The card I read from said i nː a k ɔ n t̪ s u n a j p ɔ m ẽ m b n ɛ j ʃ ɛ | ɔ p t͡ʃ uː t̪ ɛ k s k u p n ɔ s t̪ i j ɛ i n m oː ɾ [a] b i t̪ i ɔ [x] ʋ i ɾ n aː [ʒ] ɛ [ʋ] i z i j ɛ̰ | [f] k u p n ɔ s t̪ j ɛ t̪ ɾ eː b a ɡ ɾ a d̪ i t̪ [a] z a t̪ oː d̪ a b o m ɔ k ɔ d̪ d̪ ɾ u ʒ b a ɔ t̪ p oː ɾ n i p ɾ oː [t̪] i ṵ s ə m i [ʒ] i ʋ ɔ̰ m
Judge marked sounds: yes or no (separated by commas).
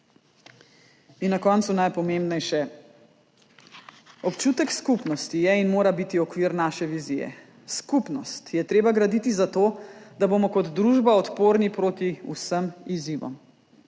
yes, no, no, yes, no, no, yes, no